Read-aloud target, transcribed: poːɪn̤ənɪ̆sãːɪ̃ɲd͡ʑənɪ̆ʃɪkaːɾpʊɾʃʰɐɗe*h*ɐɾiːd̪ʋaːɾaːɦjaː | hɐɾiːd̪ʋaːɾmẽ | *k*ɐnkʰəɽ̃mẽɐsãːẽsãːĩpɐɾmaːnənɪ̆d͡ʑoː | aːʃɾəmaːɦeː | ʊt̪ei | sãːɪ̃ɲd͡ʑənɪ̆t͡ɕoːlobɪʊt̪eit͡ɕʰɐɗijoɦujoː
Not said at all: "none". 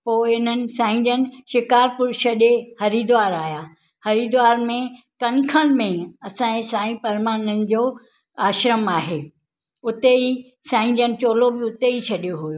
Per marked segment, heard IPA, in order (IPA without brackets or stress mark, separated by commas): h, k